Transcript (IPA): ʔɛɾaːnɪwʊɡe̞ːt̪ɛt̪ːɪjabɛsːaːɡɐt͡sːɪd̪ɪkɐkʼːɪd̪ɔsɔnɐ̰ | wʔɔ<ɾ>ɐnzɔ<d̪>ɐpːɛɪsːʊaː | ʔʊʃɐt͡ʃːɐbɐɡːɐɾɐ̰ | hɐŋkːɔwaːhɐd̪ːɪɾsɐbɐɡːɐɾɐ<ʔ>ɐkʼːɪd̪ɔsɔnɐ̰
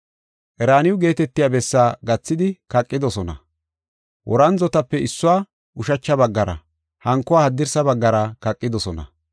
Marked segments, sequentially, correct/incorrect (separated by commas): correct, incorrect, incorrect